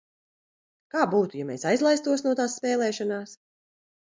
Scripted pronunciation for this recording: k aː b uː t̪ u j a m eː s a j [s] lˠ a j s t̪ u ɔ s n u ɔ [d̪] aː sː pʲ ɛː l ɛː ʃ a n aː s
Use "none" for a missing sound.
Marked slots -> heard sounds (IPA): z, t̪

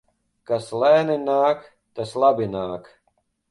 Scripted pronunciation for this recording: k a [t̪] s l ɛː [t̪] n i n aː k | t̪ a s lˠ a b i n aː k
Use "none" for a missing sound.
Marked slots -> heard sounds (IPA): none, none

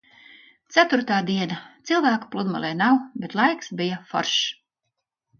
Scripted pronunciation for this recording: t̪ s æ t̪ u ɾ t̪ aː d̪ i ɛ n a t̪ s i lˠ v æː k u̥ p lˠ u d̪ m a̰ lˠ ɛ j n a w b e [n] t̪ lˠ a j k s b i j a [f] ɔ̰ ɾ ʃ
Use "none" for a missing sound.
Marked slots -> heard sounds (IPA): none, f

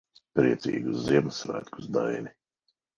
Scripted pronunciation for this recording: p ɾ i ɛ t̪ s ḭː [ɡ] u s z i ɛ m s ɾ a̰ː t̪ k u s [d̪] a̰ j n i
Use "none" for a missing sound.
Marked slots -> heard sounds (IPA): ɡ, d̪

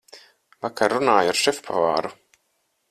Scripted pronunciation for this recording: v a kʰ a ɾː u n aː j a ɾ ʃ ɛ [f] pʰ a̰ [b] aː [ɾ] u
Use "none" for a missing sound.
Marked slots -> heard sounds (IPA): f, v, ɾ

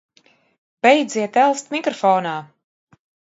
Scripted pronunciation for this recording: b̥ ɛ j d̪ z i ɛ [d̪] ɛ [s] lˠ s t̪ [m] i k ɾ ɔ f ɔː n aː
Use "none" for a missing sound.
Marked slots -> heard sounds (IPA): t̪, none, m

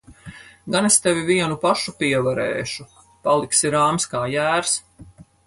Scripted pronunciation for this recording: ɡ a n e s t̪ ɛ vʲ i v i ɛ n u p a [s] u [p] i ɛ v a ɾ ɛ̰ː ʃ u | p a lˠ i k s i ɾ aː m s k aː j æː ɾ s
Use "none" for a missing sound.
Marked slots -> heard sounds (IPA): ʃ, p

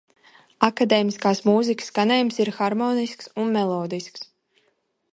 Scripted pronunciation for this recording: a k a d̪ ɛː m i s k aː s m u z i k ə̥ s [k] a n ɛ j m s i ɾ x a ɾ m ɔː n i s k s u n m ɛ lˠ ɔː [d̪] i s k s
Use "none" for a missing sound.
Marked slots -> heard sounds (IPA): k, d̪

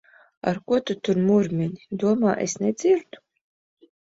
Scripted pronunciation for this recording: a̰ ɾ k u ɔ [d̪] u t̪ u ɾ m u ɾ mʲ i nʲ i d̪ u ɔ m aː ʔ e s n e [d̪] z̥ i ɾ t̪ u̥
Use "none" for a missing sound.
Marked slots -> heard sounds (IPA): t̪, d̪

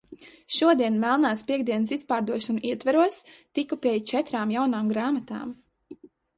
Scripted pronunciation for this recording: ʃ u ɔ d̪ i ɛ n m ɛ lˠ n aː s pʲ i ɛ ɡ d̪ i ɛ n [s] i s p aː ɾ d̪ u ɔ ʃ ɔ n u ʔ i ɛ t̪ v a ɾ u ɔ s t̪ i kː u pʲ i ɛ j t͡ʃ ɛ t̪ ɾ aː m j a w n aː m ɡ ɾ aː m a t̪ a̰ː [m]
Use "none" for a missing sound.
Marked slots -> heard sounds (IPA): s, m

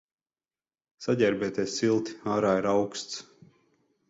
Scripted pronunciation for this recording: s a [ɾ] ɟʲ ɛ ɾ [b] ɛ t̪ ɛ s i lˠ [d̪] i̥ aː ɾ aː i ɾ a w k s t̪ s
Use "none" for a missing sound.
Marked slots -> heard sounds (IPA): none, b, t̪

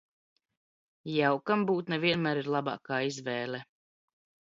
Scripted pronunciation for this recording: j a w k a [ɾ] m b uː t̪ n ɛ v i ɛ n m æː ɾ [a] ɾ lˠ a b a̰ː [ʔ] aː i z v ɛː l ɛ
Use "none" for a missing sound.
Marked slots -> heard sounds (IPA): none, i, k

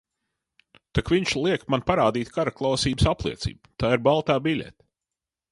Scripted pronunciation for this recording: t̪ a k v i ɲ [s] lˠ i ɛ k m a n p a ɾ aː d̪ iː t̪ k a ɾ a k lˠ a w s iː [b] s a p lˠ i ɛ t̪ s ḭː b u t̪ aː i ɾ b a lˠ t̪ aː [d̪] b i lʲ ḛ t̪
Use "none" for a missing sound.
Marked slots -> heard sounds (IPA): ʃ, b, none

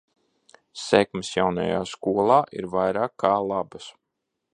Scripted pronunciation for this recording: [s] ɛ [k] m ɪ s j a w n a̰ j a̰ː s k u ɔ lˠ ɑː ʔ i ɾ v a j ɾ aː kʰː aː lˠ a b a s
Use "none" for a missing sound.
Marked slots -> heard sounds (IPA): s, k

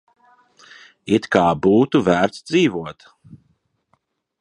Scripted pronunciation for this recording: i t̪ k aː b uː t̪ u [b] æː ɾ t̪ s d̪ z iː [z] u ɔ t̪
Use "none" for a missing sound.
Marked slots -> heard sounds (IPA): v, v

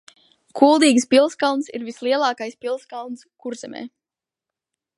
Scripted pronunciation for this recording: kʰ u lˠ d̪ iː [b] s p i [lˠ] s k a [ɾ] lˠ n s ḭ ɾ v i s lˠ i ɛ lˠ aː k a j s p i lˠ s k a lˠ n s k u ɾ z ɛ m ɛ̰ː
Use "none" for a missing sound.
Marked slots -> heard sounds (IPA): ɡ, lˠ, none

